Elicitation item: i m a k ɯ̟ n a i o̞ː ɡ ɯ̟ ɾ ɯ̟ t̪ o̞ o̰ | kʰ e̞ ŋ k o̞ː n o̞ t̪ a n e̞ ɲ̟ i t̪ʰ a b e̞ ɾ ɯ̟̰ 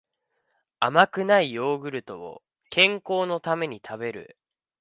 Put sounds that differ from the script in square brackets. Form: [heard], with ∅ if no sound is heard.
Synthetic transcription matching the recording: [a] m a k ɯ̟ n a i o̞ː ɡ ɯ̟ ɾ ɯ̟ t̪ o̞ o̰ | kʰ [ẽ̞] ŋ k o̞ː n o̞ t̪ a [m] e̞ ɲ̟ i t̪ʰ a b e̞ ɾ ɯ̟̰